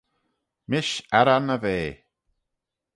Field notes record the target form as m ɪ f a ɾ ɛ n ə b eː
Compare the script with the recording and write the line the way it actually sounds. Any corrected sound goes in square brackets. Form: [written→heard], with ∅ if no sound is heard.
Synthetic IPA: m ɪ [f→ʃ] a ɾ [ɛ→a] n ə [b→v] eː